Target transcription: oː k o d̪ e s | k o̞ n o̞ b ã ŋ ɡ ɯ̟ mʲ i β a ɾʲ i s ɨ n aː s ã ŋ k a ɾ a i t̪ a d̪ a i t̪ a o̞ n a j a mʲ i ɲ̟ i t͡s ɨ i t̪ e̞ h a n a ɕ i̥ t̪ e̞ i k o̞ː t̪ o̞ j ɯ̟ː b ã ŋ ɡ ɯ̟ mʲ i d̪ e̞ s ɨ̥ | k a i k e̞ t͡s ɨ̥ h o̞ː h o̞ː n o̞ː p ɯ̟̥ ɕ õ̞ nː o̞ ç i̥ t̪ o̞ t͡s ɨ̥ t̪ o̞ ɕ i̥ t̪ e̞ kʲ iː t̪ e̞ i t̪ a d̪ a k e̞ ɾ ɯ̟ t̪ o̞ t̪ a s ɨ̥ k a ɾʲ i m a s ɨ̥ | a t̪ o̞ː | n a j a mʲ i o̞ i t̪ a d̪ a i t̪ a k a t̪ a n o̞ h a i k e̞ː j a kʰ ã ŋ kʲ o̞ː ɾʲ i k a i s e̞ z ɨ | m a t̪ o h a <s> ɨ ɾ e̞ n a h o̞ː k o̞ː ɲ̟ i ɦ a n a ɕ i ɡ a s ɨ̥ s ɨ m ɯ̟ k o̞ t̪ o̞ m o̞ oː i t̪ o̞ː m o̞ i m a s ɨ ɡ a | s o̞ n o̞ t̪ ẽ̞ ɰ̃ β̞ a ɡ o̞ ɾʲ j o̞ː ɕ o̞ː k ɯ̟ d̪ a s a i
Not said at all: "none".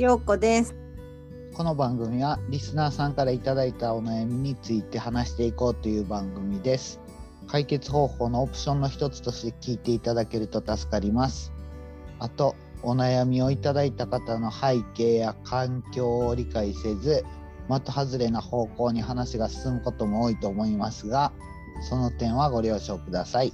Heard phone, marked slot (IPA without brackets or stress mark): z